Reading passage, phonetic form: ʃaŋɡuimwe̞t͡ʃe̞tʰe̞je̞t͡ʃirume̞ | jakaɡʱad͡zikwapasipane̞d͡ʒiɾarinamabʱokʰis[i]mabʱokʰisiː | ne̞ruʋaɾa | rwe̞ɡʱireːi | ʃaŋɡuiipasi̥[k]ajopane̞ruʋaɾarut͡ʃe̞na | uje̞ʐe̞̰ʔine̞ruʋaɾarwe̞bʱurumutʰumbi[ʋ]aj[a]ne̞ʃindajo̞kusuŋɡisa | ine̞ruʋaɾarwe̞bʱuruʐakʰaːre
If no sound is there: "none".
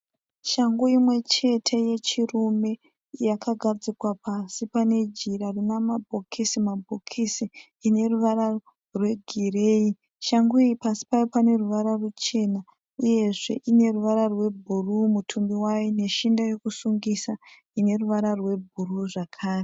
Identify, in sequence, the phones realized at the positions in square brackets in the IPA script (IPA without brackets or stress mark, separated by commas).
i, p, w, i